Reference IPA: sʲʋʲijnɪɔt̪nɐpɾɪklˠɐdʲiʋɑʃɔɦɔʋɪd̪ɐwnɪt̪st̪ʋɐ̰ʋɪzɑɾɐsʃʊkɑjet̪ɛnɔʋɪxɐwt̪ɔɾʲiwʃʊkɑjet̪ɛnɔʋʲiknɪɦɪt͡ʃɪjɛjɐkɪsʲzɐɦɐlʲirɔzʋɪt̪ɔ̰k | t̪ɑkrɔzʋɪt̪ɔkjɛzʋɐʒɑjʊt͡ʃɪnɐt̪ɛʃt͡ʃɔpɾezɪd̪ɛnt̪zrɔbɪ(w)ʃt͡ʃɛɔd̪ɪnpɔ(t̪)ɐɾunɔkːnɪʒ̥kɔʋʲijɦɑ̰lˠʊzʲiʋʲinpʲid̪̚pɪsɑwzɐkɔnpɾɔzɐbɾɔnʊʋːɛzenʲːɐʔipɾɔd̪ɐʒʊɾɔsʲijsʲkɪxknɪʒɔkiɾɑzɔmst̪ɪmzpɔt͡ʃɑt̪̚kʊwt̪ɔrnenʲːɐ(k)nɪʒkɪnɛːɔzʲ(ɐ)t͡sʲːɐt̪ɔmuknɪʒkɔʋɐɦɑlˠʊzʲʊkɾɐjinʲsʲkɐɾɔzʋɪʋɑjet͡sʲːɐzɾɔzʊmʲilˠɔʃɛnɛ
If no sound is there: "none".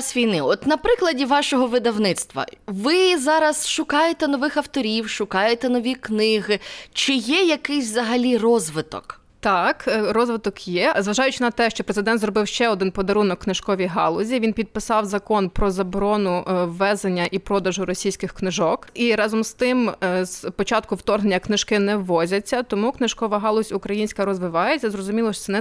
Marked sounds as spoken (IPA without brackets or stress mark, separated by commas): w, d̪, k, ɐ